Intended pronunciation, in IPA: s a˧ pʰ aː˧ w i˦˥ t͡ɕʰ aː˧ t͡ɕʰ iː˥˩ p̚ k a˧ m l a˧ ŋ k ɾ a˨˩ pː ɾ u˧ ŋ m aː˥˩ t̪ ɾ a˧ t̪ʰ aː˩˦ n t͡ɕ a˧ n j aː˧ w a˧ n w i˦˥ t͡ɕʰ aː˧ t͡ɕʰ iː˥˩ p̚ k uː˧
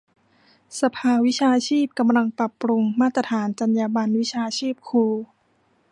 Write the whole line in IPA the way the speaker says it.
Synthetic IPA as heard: s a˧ pʰ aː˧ w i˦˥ t͡ɕʰ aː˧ t͡ɕʰ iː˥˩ p̚ k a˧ m l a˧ ŋ p ɾ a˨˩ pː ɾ u˧ ŋ m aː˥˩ t̪ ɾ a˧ t̪ʰ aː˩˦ n t͡ɕ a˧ n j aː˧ b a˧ n w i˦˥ t͡ɕʰ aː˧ t͡ɕʰ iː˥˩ p̚ kʰ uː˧